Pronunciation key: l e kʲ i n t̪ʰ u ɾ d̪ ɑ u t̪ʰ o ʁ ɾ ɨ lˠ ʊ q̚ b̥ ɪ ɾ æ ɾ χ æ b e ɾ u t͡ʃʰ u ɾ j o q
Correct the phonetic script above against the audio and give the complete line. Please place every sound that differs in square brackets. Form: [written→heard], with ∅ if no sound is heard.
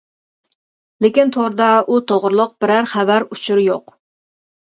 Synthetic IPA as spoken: l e kʲ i n t̪ʰ [u→o] ɾ d̪ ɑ u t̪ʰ o ʁ ɾ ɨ lˠ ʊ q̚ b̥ ɪ ɾ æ ɾ χ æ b [e→æ] ɾ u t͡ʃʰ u ɾ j o q